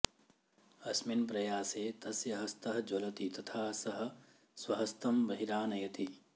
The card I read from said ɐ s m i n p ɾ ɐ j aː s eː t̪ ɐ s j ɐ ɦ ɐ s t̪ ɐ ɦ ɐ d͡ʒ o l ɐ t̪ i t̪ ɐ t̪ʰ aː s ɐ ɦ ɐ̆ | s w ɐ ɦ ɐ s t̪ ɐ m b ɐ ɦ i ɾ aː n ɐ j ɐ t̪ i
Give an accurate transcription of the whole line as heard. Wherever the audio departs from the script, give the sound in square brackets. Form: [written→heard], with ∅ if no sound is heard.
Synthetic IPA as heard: ɐ s m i n p ɾ ɐ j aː s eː t̪ ɐ s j ɐ ɦ ɐ s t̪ ɐ ɦ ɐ d͡ʒ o l ɐ t̪ i t̪ ɐ t̪ʰ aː s ɐ ɦ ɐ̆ | s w ɐ ɦ ɐ s t̪ ɐ m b ɐ ɦ i ɾ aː n ɐ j ɐ t̪ i